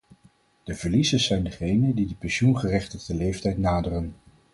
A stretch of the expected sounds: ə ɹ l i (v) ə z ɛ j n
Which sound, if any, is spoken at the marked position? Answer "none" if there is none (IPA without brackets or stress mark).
z